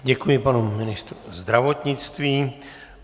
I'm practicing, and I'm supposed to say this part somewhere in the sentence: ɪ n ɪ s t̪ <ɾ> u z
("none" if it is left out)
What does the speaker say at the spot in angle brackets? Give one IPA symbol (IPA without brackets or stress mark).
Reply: ɾ